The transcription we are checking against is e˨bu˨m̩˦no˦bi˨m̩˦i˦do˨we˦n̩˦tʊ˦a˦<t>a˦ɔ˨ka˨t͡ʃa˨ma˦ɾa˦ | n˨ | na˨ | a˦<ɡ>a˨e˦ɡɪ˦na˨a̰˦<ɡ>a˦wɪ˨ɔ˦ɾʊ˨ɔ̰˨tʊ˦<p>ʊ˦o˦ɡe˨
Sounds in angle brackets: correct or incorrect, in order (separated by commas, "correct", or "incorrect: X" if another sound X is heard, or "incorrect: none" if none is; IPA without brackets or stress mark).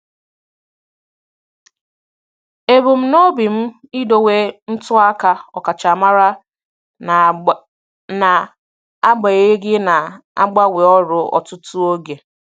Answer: incorrect: k, incorrect: ɡ͡b, incorrect: ɡ͡b, incorrect: t